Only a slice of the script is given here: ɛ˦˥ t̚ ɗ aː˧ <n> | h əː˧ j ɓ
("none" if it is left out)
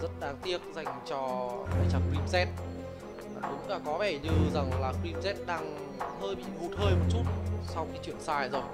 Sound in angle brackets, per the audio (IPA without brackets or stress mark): ŋ